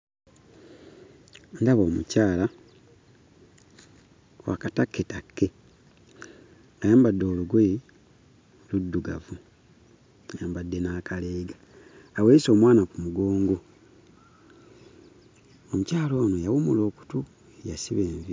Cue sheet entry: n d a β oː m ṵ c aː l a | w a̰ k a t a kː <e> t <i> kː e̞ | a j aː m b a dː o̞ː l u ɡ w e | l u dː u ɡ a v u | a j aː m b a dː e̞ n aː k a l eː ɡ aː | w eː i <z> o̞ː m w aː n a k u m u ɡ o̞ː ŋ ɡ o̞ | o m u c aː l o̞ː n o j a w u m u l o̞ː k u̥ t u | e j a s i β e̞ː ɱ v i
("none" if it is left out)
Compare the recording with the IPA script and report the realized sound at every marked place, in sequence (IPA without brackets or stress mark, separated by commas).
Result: e, a, s